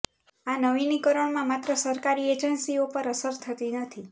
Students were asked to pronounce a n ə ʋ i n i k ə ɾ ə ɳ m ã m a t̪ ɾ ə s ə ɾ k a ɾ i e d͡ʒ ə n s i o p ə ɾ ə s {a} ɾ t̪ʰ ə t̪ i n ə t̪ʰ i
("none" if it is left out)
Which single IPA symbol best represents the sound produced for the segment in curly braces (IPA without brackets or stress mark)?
ə